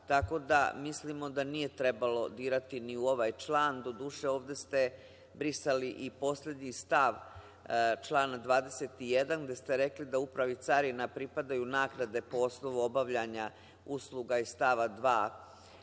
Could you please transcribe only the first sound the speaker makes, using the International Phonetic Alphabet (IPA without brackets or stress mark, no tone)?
t̪